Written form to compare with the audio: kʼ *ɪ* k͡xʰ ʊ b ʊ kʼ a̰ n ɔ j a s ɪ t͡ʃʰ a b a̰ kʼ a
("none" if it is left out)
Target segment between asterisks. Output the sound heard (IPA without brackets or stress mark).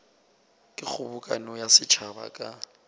ɪ